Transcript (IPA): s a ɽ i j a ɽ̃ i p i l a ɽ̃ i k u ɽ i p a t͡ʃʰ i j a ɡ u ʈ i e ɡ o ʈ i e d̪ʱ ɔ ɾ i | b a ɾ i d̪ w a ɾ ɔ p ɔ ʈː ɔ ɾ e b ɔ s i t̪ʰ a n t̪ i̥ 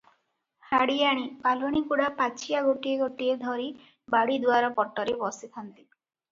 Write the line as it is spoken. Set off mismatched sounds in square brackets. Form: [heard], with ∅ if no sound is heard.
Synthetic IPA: [h] a ɽ i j a ɽ̃ i p [a] l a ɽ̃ i k u ɽ [a] p a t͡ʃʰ i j a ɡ [o] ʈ i e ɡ o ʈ i e d̪ʱ ɔ ɾ i | b a [ɽ] i d̪ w a ɾ ɔ p ɔ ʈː ɔ ɾ e b ɔ s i t̪ʰ a n t̪ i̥